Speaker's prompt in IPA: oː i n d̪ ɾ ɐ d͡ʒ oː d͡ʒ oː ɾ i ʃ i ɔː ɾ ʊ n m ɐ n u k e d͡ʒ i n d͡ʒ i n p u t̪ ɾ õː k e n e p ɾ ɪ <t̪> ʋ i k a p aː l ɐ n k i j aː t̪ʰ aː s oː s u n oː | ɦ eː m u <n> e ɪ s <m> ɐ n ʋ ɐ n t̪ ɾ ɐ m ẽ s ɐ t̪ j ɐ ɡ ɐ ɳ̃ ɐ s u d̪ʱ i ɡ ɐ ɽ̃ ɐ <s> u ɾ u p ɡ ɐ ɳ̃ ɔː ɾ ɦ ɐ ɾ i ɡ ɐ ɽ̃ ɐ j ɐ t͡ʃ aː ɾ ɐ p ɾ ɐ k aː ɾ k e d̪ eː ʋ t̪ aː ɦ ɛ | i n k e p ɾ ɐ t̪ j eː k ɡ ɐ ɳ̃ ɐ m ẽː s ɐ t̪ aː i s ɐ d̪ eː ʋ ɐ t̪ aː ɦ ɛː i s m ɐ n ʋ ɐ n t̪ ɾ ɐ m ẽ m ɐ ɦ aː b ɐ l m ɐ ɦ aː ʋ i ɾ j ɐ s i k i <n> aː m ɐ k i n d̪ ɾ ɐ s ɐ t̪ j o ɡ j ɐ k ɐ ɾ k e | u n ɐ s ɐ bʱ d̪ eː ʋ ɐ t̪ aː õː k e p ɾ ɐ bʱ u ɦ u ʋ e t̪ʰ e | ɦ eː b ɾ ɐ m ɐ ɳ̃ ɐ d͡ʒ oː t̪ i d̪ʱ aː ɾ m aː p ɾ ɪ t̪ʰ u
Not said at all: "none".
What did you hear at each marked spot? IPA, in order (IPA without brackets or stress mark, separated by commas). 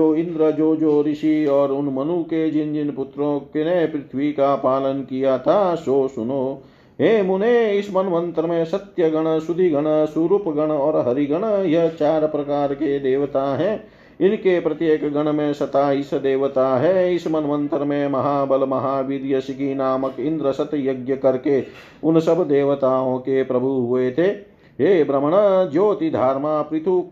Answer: t̪ʰ, n, m, s, n